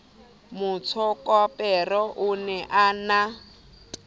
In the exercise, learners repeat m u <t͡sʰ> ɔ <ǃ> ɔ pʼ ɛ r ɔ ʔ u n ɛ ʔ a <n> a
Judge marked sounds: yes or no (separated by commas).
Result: yes, no, yes